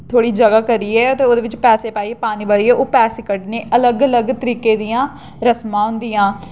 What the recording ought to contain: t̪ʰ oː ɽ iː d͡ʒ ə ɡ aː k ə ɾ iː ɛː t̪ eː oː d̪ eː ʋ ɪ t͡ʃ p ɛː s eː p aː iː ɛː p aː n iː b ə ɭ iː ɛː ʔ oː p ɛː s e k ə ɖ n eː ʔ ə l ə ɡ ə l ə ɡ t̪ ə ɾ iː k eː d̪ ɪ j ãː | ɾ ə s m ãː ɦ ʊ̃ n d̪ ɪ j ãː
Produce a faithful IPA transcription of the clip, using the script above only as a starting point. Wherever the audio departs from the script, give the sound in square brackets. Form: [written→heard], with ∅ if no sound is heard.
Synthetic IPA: t̪ʰ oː ɽ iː d͡ʒ ə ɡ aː k ə ɾ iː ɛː t̪ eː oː d̪ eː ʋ ɪ t͡ʃ p ɛː s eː p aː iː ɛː p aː n iː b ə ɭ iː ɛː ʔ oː p ɛː s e k ə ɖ n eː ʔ ə l ə ɡ ə l ə ɡ t̪ ə ɾ iː k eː d̪ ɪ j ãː | ɾ ə s m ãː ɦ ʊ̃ n d̪ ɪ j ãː